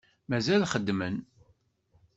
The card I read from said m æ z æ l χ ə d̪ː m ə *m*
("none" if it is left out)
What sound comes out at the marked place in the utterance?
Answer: n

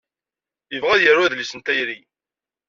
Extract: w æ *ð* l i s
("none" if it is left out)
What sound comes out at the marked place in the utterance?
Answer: ð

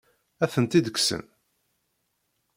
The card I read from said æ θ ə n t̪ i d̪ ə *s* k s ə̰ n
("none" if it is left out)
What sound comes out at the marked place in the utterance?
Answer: none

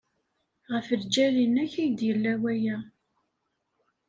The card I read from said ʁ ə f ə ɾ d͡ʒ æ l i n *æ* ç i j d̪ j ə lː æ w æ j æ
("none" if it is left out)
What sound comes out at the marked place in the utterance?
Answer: æ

